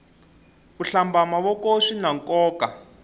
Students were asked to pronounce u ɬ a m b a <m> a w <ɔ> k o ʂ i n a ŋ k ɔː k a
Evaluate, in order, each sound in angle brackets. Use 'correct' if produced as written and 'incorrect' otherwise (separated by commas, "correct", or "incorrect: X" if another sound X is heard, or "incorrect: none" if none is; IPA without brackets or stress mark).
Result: correct, correct